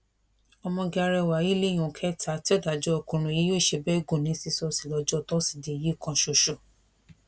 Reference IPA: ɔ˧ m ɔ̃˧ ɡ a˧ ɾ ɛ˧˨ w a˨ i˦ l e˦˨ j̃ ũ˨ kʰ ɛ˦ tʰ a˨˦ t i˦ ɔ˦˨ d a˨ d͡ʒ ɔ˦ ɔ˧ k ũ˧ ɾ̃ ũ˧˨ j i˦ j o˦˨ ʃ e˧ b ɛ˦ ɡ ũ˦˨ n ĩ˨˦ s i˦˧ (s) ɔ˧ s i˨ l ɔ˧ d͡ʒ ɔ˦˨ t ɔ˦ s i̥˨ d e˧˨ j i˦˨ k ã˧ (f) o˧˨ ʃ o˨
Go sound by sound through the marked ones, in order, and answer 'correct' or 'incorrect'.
correct, incorrect: ʃ

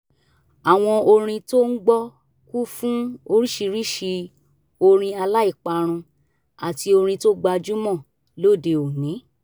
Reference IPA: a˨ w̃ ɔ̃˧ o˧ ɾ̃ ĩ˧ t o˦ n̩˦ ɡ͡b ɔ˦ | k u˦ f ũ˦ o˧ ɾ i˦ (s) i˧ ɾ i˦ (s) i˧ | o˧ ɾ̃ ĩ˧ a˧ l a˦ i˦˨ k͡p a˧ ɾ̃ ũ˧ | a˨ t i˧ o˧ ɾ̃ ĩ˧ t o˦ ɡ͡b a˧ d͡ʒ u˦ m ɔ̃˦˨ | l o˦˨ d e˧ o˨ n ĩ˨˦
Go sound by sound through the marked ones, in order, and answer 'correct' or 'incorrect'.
incorrect: ʃ, incorrect: ʃ

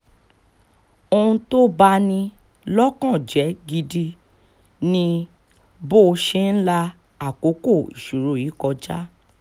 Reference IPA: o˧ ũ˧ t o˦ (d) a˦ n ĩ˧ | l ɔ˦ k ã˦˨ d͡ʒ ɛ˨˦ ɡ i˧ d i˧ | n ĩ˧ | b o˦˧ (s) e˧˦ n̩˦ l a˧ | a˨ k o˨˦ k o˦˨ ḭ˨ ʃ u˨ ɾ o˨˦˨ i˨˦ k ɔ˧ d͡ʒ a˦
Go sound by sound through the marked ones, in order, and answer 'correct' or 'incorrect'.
incorrect: b, incorrect: ʃ

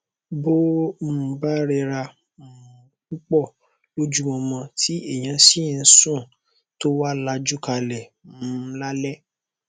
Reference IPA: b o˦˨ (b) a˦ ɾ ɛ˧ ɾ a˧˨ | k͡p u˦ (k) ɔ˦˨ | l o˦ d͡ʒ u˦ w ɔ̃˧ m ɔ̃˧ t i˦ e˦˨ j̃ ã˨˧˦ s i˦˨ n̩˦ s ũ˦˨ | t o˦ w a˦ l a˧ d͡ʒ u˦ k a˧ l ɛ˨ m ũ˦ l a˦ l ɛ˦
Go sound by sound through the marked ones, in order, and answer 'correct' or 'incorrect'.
correct, incorrect: k͡p

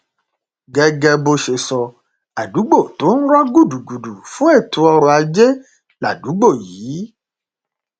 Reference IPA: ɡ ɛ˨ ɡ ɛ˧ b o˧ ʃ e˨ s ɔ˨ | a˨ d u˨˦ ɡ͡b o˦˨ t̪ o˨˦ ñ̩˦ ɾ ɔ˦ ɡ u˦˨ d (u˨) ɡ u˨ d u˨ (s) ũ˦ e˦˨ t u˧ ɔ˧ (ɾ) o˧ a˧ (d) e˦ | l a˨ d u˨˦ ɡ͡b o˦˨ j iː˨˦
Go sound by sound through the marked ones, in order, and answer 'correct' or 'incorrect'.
correct, incorrect: f, correct, incorrect: d͡ʒ

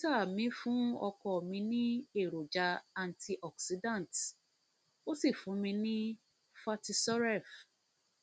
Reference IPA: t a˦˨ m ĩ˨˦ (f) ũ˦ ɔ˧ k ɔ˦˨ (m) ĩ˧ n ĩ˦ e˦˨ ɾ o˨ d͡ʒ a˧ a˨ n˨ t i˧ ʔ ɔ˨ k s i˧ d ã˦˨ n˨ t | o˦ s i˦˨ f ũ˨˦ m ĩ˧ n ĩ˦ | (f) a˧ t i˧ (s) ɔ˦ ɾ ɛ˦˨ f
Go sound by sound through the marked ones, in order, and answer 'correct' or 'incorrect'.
correct, correct, correct, correct

